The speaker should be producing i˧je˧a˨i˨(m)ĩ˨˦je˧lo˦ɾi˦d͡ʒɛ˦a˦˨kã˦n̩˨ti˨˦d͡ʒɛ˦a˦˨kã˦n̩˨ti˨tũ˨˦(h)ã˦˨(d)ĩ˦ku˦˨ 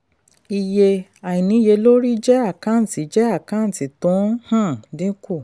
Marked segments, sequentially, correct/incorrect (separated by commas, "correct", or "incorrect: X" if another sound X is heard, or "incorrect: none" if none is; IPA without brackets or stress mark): incorrect: n, correct, correct